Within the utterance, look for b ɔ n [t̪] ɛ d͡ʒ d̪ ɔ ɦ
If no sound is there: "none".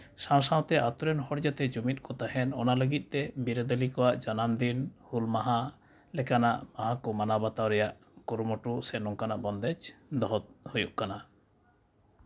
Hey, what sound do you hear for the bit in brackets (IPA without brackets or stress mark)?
d̪